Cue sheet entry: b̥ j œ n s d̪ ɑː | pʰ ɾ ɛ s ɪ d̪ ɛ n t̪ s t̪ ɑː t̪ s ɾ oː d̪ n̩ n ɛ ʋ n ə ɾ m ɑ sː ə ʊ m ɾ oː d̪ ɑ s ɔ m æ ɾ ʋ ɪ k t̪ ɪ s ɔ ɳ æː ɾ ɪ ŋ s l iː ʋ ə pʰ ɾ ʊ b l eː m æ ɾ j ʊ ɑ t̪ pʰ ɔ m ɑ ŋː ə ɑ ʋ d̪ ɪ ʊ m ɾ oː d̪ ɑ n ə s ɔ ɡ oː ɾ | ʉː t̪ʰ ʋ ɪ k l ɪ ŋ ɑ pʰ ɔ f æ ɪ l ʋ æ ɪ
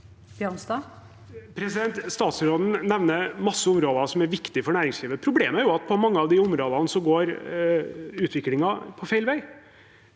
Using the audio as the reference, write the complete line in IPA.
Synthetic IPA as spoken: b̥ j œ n s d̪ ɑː | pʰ ɾ ɛ s ɪ d̪ ɛ n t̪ s t̪ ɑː t̪ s ɾ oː d̪ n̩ n ɛ ʋ n ə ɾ m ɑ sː ə ʊ m ɾ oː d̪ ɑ s ɔ m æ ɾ ʋ ɪ k t̪ ɪ f ɔ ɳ æː ɾ ɪ ŋ s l iː ʋ ə pʰ ɾ ʊ b l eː m æ ɾ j ʊ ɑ t̪ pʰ ɔ m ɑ ŋː ə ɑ ʋ d̪ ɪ ʊ m ɾ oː d̪ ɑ n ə s ɔ ɡ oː ɾ | ʉː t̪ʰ ʋ ɪ k l ɪ ŋ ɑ pʰ ɔ f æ ɪ l ʋ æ ɪ

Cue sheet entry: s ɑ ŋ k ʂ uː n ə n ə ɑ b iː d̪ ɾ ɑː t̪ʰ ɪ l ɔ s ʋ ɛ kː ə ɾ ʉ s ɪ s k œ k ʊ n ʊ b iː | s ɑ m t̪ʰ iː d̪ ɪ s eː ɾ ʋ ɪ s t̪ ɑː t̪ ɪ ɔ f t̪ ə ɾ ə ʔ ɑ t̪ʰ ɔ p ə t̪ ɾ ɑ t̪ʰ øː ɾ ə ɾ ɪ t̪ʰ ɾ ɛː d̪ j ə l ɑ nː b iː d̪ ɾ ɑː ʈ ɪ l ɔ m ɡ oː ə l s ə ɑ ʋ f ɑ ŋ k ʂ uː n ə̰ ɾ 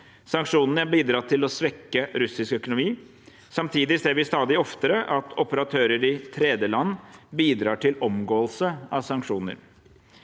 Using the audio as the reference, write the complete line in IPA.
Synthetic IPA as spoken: s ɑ ŋ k ʂ uː n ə n ə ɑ b iː d̪ ɾ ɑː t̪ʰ ɪ l ɔ s ʋ ɛ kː ə ɾ ʉ s ɪ s k œ k ʊ n ʊ m iː | s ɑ m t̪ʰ iː d̪ ɪ s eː ɾ ʋ ɪ s t̪ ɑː d̪ ɪ ɔ f t̪ ə ɾ ə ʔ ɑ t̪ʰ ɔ p ə ɾ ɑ t̪ʰ øː ɾ ə ɾ ɪ t̪ʰ ɾ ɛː d̪ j ə l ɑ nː b iː d̪ ɾ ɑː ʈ ɪ l ɔ m ɡ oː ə l s ə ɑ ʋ s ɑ ŋ k ʂ uː n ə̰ ɾ

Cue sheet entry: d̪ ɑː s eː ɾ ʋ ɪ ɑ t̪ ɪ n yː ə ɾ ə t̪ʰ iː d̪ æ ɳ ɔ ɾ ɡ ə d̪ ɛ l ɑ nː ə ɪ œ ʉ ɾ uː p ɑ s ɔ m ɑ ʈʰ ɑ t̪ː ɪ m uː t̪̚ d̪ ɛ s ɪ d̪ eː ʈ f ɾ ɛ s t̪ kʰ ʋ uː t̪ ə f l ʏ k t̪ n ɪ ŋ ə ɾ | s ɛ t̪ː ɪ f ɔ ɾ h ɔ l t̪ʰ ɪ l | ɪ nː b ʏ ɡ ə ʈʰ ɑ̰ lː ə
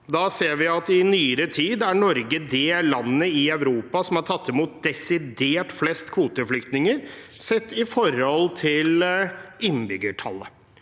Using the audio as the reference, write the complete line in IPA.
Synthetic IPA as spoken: d̪ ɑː s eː ɾ ʋ ɪ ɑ t̪ ɪ n yː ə ɾ ə t̪ʰ iː d̪ æ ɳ ɔ ɾ ɡ ə d̪ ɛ l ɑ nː ə ɪ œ ʉ ɾ uː p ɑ s ɔ m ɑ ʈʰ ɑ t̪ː ɪ m uː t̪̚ d̪ ɛ s ɪ d̪ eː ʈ f l ɛ s t̪ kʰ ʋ uː t̪ ə f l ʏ k t̪ n ɪ ŋ ə ɾ | s ɛ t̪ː ɪ f ɔ ɾ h ɔ l t̪ʰ ɪ l | ɪ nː b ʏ ɡ ə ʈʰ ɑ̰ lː ə

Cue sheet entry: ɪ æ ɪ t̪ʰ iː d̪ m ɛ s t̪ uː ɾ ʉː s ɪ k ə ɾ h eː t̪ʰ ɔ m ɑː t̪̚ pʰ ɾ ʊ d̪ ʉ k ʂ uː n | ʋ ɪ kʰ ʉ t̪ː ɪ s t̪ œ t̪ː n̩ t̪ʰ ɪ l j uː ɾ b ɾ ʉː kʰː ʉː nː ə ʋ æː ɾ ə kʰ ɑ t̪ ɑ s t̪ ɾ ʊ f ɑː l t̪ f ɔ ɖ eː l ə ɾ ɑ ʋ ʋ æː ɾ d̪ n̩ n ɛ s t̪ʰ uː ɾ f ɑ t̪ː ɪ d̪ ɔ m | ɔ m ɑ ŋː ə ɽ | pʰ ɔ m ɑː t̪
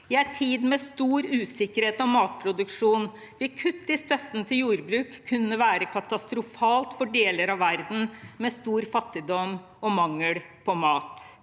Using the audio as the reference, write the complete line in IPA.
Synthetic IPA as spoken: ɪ æ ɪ t̪ʰ iː d̪ m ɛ s t̪ uː ɾ ʉː s ɪ k ə ɾ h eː t̪ ɔ m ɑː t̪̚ pʰ ɾ ʊ d̪ ʉ k ʂ uː n | ʋ ɪ kʰ ʉ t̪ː ɪ s t̪ œ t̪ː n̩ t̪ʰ ɪ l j uː ɾ b ɾ ʉː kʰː ʉ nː ə ʋ æː ɾ ə kʰ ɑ t̪ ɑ s t̪ ɾ ʊ f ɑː l t̪ f ɔ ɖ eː l ə ɾ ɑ ʋ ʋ æ ɾ d̪ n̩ m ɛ s t̪ uː ɾ f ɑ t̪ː ɪ d̪ ɔ m | ɔ m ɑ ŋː ə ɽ | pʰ ɔ m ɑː t̪

